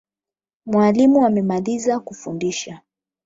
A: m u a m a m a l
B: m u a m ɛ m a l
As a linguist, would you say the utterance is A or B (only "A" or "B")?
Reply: B